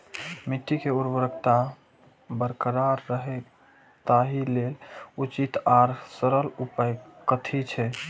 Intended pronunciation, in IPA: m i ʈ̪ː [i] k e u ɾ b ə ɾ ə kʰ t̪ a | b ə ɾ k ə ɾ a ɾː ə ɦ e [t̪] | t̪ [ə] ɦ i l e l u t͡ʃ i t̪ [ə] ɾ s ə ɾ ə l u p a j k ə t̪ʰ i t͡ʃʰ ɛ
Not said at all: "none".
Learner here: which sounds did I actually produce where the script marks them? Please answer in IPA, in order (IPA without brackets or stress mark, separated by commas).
i, none, a, a